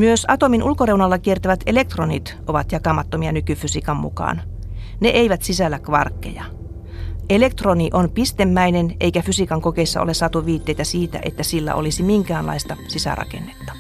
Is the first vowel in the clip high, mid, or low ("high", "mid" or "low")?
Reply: high